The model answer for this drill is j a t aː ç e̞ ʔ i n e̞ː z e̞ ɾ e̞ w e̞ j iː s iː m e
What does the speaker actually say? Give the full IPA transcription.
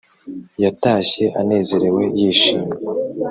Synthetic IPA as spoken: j a t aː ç e̞ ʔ a n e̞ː z e̞ ɾ e̞ w e̞ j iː ʃ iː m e